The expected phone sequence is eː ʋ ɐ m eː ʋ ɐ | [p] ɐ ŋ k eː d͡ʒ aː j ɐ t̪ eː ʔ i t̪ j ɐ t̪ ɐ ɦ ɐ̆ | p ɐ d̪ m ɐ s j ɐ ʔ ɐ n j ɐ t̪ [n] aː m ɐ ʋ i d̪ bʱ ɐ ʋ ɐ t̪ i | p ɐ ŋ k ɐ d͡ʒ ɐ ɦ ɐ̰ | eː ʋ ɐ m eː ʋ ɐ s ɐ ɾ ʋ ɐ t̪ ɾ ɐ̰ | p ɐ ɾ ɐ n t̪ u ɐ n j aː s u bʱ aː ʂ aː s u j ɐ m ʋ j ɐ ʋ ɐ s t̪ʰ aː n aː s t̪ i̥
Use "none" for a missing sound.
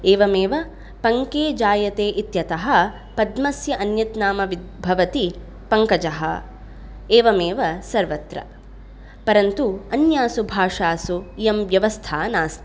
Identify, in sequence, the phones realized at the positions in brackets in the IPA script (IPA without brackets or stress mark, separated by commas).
p, n